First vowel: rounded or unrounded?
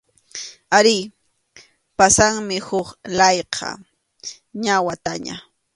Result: unrounded